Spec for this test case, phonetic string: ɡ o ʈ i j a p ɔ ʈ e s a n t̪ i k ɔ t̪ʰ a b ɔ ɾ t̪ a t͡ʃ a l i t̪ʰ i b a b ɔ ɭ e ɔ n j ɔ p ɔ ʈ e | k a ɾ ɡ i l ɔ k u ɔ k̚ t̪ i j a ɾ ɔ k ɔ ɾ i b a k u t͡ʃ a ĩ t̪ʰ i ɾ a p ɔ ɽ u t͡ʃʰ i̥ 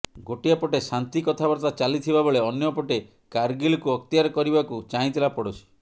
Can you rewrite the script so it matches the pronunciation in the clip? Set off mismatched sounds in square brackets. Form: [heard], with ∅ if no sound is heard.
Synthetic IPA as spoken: ɡ o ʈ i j a p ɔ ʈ e s a n t̪ i k ɔ t̪ʰ a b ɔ ɾ t̪ a t͡ʃ a l i t̪ʰ i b a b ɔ ɭ e ɔ n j ɔ p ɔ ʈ e | k a ɾ ɡ i l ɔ k u ɔ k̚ t̪ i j a ɾ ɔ k ɔ ɾ i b a k u t͡ʃ a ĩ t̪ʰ i [l] a p ɔ ɽ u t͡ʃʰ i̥